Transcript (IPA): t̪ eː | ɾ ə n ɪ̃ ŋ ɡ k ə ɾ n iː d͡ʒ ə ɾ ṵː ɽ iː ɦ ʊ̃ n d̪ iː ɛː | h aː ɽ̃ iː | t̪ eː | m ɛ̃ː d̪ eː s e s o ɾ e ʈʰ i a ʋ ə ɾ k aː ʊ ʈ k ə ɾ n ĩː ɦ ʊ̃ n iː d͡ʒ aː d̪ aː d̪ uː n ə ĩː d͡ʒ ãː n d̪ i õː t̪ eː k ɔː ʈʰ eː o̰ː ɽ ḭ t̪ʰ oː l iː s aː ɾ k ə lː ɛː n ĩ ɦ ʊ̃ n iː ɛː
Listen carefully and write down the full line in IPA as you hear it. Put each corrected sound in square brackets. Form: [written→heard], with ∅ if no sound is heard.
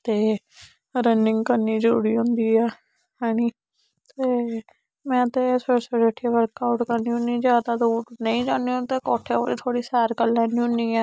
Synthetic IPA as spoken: t̪ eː | ɾ ə n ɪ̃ ŋ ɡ k ə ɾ n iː d͡ʒ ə ɾ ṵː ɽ iː ɦ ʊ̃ n d̪ iː ɛː | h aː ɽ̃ iː | t̪ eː | m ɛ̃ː [d̪→t̪] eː s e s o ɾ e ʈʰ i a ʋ ə ɾ k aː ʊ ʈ k ə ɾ n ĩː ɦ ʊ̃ n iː d͡ʒ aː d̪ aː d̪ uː n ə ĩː d͡ʒ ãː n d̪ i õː t̪ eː k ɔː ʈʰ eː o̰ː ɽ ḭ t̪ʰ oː [l→ɽ] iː s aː ɾ k ə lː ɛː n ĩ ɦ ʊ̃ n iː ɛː